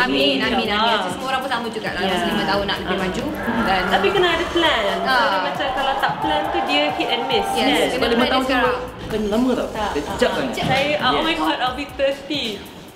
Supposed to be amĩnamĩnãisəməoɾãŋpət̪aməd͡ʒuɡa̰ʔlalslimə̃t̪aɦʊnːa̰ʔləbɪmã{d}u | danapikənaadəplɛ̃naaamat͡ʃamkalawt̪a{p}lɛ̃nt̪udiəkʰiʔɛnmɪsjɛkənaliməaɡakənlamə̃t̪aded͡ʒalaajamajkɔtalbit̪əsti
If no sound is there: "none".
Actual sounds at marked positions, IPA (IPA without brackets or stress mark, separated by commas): d͡ʒ, p